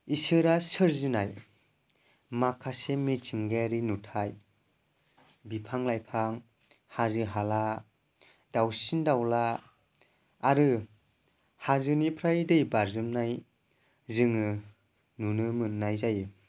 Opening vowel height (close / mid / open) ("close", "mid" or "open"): close